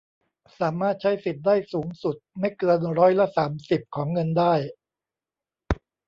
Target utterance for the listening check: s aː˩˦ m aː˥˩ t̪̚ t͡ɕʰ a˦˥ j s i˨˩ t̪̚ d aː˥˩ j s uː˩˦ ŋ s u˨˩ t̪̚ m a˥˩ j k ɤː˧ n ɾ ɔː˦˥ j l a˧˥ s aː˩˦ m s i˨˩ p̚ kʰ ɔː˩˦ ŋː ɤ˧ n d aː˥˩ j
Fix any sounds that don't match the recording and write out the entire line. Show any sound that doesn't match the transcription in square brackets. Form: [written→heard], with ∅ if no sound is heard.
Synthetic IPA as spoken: s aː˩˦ m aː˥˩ t̪̚ t͡ɕʰ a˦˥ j s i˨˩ t̪̚ d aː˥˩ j s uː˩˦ ŋ s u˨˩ t̪̚ m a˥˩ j k ɤː˧ n ɾ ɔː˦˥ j l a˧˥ s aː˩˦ m s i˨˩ p̚ kʰ ɔː˩˦ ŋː ɤ˧ n d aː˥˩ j